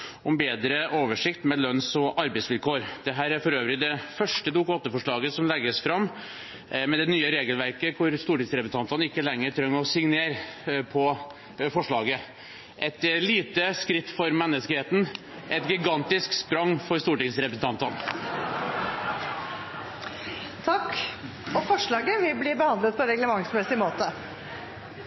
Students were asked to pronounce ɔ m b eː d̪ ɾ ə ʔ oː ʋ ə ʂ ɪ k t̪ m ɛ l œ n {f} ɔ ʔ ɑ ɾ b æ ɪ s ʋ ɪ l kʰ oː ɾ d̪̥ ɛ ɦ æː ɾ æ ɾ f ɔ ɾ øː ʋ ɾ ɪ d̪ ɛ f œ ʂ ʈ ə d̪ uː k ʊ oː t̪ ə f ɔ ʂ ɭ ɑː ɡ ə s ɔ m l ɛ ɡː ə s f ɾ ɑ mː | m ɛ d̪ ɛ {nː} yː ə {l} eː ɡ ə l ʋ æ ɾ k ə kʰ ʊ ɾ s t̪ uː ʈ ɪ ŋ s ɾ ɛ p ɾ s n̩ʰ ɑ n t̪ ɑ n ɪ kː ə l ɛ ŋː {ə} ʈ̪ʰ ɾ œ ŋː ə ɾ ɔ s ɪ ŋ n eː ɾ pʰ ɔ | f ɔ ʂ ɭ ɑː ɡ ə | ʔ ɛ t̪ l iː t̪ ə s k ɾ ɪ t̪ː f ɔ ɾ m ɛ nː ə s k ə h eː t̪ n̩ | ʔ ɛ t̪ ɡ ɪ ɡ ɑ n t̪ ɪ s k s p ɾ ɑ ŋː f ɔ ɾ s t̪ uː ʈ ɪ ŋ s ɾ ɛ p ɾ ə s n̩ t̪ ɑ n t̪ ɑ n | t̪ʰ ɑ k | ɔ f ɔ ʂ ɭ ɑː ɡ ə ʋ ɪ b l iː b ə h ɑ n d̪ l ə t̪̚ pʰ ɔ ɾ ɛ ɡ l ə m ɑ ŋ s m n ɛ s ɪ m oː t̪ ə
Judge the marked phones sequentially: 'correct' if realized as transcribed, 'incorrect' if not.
incorrect: s, incorrect: n, incorrect: ɾ, correct

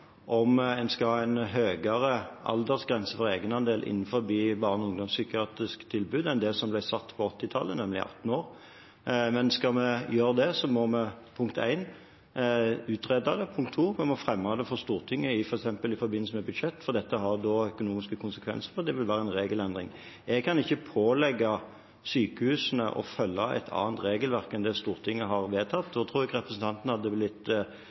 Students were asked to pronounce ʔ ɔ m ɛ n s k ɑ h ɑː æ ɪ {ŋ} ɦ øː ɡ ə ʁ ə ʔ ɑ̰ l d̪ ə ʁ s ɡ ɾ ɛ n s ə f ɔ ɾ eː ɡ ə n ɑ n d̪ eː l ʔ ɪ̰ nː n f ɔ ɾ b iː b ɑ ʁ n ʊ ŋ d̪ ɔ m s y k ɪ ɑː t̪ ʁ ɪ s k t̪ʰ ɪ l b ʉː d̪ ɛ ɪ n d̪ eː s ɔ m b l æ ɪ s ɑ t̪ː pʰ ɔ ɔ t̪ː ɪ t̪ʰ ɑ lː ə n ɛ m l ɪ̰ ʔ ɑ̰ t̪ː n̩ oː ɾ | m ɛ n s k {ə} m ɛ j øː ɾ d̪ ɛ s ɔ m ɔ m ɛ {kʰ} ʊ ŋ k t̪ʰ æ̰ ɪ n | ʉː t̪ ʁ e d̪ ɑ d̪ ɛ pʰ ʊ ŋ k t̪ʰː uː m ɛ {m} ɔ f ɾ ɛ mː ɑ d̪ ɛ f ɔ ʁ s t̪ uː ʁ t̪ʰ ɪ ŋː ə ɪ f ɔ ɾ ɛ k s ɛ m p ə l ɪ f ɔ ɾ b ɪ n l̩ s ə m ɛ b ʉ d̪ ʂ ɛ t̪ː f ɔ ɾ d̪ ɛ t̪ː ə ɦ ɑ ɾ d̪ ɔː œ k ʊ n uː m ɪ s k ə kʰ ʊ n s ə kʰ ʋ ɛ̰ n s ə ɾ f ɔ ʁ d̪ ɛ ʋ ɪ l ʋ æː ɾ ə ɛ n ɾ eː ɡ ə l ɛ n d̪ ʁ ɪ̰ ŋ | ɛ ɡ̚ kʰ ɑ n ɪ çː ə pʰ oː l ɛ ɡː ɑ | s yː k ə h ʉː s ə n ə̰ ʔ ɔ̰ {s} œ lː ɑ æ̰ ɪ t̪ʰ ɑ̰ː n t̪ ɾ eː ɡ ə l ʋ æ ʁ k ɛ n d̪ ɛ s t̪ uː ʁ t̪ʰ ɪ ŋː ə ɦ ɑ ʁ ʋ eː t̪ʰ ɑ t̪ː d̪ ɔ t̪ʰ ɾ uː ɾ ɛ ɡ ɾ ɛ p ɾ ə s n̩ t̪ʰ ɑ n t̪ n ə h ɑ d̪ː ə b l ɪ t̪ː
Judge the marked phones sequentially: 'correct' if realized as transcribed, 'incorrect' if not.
incorrect: n, incorrect: ɑ, incorrect: pʰ, correct, incorrect: f

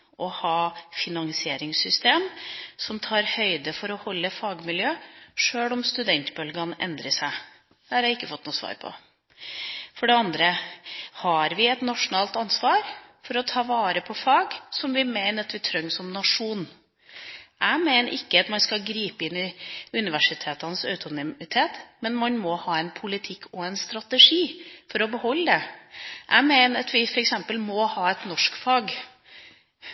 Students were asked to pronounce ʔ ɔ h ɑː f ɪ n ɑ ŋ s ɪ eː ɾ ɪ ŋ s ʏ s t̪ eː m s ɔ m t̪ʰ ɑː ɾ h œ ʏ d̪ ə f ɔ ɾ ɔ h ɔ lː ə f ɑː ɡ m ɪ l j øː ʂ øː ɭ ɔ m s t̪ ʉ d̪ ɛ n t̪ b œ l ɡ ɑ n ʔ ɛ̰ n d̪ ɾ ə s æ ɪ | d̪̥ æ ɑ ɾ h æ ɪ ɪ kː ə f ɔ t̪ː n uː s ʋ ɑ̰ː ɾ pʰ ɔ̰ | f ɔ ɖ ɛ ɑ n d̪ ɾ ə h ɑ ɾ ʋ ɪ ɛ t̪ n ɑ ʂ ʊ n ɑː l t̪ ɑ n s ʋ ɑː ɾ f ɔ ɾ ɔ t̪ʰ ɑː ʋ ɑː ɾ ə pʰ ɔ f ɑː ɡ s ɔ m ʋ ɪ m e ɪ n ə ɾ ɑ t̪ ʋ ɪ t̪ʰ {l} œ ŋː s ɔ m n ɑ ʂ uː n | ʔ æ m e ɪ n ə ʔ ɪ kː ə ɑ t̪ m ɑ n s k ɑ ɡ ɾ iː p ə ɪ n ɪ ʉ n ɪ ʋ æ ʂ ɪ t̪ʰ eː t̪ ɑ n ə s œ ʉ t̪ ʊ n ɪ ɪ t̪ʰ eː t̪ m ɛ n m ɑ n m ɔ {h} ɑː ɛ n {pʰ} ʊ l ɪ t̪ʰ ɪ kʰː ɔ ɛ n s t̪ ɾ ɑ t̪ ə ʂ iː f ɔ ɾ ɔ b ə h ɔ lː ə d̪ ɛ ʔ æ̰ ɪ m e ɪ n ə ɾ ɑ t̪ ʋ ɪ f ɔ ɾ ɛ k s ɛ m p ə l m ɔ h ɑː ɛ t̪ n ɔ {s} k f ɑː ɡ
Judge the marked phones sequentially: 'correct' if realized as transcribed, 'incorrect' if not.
incorrect: ɾ, correct, correct, incorrect: ʂ

